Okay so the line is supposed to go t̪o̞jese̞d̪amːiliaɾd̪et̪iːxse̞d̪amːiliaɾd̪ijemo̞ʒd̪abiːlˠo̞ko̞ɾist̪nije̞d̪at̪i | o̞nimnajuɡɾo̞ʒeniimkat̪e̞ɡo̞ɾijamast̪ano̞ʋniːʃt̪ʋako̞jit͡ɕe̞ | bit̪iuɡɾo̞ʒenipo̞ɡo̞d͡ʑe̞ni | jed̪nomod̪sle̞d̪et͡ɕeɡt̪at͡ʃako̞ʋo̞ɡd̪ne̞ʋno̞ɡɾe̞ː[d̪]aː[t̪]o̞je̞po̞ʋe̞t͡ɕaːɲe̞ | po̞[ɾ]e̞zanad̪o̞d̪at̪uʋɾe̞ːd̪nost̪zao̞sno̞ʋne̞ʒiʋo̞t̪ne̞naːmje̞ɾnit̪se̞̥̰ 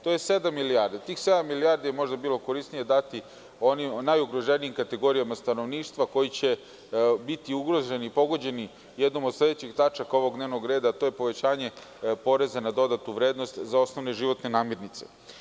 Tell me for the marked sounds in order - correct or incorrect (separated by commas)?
correct, correct, correct